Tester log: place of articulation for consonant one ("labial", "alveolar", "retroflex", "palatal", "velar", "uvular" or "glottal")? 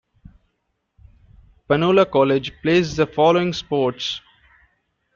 labial